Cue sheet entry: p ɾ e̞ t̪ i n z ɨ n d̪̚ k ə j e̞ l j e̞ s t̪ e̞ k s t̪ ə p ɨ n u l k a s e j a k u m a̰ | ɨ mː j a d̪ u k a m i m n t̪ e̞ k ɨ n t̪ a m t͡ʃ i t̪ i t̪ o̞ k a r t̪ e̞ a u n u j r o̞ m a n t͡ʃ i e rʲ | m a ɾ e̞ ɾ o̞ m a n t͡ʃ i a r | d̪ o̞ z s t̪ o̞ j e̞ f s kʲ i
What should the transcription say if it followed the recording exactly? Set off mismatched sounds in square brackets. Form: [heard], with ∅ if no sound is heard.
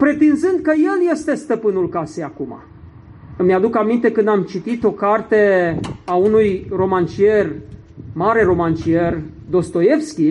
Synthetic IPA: p ɾ e̞ t̪ i n z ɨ n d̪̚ k ə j e̞ l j e̞ s t̪ e̞ [∅] s t̪ ə p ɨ n u l k a s e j a k u m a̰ | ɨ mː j a d̪ u k a m i [∅] n t̪ e̞ k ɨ n [d̪] a m t͡ʃ i t̪ i t̪ o̞ k a r t̪ e̞ a u n u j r o̞ m a n t͡ʃ i e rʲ | m a ɾ e̞ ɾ o̞ m a n t͡ʃ i [e] r | d̪ o̞ [∅] s t̪ o̞ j e̞ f s kʲ i